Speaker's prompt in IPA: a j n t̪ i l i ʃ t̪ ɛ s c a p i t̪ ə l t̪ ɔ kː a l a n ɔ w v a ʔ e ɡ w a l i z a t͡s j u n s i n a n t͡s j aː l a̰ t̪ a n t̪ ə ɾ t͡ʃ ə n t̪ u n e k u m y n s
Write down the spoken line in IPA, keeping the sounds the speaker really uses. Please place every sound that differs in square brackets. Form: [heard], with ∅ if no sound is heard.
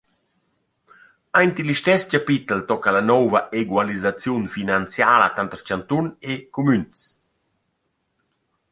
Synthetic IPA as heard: a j n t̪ i l i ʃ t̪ ɛ s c a p i t̪ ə l t̪ ɔ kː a l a n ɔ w v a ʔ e ɡ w a l i z a t͡s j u n [f] i n a n t͡s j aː l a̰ t̪ a n t̪ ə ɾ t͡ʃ [a] n t̪ u n e k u m y n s

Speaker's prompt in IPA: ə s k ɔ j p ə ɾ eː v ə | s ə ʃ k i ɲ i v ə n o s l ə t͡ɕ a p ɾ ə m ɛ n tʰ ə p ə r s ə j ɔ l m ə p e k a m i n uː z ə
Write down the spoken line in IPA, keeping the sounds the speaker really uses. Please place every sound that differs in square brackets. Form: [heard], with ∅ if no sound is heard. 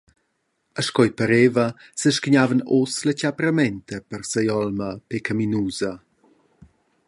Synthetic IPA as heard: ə [ʃ] k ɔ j p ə ɾ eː v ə | s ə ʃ k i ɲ [a] v ə n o s l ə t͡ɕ a p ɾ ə m ɛ n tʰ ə p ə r s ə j ɔ l m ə p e k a m i n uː z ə

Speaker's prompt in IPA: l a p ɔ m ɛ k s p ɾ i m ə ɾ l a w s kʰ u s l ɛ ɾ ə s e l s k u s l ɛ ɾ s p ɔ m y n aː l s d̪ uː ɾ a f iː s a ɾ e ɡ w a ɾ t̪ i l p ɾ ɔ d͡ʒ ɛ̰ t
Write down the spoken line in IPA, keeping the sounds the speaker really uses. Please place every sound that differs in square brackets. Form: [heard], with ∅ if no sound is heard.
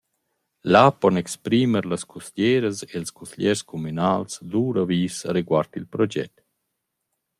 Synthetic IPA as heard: l a p ɔ [n] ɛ k s p ɾ i m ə ɾ l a [∅] s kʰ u s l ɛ ɾ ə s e l s k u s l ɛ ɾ s [k] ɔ m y n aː l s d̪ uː ɾ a [v] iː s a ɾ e ɡ w a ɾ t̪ i l p ɾ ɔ d͡ʒ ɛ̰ t

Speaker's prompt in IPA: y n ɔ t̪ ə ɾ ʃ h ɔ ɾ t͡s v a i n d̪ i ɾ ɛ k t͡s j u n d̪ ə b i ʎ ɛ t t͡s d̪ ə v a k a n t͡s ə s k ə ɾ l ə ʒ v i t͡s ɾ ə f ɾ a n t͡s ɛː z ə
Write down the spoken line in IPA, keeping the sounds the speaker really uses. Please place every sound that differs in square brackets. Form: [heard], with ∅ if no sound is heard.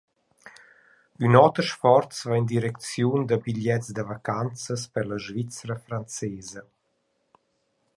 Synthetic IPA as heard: y n ɔ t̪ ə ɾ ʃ [f] ɔ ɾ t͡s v a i n d̪ i ɾ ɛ k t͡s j u n d̪ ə b i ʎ ɛ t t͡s d̪ ə v a k a n t͡s ə s [p] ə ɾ l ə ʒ v i t͡s ɾ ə f ɾ a n t͡s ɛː z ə

